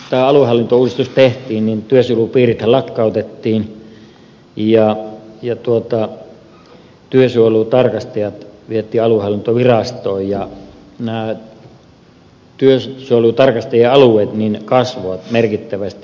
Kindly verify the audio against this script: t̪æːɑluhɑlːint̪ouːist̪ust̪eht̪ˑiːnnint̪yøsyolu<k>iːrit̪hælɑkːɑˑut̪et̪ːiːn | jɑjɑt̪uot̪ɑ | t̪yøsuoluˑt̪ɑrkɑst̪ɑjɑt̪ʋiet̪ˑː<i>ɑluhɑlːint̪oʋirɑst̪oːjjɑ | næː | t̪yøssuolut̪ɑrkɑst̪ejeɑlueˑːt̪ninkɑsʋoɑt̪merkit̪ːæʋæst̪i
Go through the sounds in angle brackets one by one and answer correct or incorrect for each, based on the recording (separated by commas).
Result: incorrect, incorrect